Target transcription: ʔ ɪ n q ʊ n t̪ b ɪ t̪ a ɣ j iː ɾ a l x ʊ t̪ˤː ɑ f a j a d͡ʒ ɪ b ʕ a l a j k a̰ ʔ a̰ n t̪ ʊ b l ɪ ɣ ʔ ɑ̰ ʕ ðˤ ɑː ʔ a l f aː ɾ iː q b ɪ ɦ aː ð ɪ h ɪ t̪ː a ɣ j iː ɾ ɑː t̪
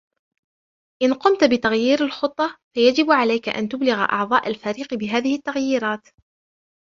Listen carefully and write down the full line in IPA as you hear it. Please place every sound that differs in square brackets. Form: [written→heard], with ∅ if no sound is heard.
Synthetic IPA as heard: ʔ ɪ n q ʊ [n→m] t̪ b ɪ t̪ a ɣ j iː ɾ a l x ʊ t̪ˤː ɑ f a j a d͡ʒ ɪ b ʕ a l a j k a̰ ʔ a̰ n t̪ ʊ b l ɪ ɣ ʔ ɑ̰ ʕ ðˤ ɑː ʔ a l f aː ɾ iː q b ɪ ɦ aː ð ɪ h ɪ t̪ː a ɣ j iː ɾ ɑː t̪